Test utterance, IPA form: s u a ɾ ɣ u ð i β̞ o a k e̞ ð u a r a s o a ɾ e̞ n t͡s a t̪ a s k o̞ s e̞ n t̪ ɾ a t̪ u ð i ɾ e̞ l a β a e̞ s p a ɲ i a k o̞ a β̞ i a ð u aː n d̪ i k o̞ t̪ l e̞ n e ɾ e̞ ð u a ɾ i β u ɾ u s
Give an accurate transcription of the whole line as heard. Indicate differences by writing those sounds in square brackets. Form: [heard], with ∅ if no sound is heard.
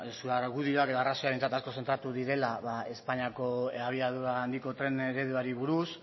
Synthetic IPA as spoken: s u a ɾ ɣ u ð i [∅] o a k e̞ ð [o] a r a s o a ɾ e̞ n t͡s a t̪ a s k o̞ s e̞ n t̪ ɾ a t̪ u ð i ɾ e̞ l a β a e̞ s p a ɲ i a k o̞ a β̞ i a ð u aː n d̪ i k o̞ t̪ [ɾ] e̞ n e ɾ e̞ ð u a ɾ i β u ɾ u s